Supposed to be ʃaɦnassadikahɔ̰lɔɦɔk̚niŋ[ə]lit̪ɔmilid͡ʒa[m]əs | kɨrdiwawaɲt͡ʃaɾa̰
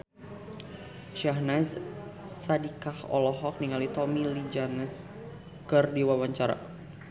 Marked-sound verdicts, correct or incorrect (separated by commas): incorrect, incorrect